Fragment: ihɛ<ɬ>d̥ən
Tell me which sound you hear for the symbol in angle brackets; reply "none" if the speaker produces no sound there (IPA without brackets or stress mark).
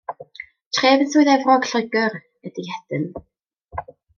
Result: none